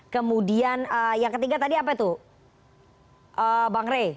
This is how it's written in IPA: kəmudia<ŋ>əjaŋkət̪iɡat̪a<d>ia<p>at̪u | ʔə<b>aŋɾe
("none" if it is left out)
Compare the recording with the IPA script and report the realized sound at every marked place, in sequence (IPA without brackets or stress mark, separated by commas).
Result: n, d, p, b